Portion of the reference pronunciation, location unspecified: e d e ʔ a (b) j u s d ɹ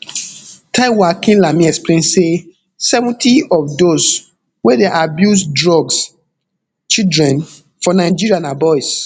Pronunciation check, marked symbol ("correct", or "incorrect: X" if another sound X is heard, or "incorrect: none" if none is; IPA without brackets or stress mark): correct